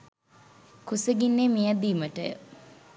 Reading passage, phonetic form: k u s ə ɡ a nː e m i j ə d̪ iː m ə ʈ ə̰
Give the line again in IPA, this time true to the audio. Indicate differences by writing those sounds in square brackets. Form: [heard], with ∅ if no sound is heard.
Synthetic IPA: k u s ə ɡ [i] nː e m i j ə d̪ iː m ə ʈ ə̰